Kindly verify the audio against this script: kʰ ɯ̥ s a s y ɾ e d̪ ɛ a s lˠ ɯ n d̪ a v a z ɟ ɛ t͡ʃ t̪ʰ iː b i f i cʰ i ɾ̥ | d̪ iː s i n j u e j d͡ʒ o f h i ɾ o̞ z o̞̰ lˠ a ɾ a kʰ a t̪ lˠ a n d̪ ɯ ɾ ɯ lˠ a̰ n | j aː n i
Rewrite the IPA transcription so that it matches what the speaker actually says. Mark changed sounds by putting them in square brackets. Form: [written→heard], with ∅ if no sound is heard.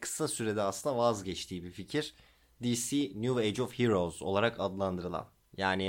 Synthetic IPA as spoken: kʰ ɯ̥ s a s y ɾ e d̪ ɛ a s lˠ ɯ n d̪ a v a z ɟ ɛ t͡ʃ t̪ʰ iː b i f i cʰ i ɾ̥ | d̪ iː s i n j u e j d͡ʒ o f h i ɾ o̞ z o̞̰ lˠ a ɾ a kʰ a [t̪→d̪] lˠ a n d̪ ɯ ɾ ɯ lˠ a̰ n | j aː n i